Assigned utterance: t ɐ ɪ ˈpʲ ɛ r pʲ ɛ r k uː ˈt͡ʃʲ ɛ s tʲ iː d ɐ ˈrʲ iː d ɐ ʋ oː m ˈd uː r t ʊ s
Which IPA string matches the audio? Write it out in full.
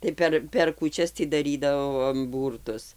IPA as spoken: t ɐ ɪ ˈpʲ ɛ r pʲ ɛ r k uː ˈt͡ʃʲ ɛ s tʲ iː d ɐ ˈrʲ iː d ɐ ʋ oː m ˈb uː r t ʊ s